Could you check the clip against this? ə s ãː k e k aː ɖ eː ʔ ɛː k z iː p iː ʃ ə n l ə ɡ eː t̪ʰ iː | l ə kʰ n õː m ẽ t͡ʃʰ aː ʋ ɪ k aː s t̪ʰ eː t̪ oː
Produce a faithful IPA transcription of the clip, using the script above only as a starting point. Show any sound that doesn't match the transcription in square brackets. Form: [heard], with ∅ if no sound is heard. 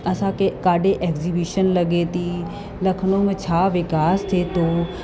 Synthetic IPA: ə s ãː k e k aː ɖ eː ʔ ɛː k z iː [b] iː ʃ ə n l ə ɡ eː [t̪] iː | l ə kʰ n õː m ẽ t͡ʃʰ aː ʋ ɪ k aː s t̪ʰ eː t̪ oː

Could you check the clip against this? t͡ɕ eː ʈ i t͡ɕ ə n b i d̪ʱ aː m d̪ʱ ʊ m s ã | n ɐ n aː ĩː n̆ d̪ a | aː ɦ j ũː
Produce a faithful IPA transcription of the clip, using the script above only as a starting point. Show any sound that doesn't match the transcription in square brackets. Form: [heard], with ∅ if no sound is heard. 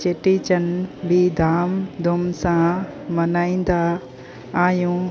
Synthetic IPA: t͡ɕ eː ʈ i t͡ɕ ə n b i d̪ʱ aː m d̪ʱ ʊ m s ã | [m] ɐ n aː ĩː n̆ d̪ a | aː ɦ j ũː

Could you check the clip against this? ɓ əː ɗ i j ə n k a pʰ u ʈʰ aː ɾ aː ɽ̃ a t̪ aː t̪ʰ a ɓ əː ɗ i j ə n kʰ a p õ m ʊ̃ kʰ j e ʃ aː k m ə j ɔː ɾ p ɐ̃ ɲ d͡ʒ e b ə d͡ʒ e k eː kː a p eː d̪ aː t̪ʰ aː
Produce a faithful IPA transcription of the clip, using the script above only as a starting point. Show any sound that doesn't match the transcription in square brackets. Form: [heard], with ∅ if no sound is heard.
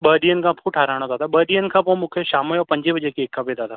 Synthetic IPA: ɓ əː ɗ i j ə n k a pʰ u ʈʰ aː ɾ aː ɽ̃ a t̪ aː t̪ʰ a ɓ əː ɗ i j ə n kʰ a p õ m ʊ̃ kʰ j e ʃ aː [∅] m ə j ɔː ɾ p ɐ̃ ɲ d͡ʒ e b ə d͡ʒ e k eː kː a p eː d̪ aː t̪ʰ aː

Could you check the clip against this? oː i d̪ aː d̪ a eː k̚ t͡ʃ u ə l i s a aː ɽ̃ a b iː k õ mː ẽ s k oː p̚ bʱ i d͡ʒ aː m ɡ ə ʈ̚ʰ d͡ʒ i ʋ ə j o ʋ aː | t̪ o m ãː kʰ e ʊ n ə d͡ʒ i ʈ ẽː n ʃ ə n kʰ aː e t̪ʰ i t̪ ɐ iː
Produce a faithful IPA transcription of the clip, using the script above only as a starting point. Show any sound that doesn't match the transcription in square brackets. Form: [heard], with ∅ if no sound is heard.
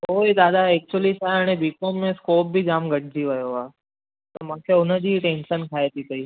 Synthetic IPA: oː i d̪ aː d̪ a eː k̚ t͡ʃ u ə l i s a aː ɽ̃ [e] b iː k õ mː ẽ s k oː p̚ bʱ i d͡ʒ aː m ɡ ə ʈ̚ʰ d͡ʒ i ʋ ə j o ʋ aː | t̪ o m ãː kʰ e ʊ n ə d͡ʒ i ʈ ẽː n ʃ ə n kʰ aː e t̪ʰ i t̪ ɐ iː

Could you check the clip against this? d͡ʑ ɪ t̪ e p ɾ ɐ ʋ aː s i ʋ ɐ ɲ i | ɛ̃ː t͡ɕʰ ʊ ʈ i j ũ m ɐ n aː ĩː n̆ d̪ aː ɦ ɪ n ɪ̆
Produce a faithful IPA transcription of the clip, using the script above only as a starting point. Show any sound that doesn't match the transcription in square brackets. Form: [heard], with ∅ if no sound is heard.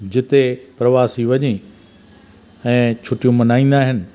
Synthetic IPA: d͡ʑ ɪ t̪ e p ɾ ɐ ʋ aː s i ʋ ɐ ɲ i | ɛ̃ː t͡ɕʰ ʊ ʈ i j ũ m ɐ n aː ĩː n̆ d̪ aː ɦ ɪ n ɪ̆

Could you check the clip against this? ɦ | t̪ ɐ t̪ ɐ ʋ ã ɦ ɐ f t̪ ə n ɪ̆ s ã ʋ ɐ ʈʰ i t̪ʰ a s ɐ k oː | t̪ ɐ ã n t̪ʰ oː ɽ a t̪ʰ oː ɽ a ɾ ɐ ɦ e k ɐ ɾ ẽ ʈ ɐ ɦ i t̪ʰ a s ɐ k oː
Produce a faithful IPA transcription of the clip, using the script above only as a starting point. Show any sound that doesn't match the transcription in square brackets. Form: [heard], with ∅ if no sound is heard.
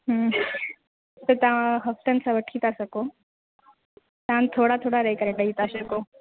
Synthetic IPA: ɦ | t̪ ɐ t̪ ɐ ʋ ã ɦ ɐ f t̪ ə n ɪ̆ s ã ʋ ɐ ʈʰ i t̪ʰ a s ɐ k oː | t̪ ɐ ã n t̪ʰ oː ɽ a t̪ʰ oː ɽ a ɾ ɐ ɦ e k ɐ ɾ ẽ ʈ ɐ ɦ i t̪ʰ a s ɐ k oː

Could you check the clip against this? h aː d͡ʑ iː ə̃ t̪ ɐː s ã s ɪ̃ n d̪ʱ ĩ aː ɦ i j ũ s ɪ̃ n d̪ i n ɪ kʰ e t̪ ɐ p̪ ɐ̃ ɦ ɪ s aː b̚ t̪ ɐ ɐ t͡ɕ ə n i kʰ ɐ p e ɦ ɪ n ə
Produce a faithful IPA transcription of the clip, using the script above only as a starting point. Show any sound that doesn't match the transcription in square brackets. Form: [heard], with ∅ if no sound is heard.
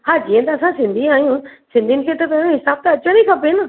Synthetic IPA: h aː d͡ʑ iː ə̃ t̪ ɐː s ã s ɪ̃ n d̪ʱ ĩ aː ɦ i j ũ s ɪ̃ n d̪ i n ɪ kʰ e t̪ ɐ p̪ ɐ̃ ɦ ɪ s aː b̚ t̪ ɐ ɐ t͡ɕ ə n i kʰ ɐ p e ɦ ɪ n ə

